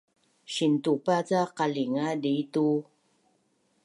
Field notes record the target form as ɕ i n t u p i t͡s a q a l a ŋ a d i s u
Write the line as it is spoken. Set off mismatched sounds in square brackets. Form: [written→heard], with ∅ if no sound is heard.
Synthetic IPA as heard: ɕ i n t u p [i→a] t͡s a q a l [a→i] ŋ a d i [s→t] u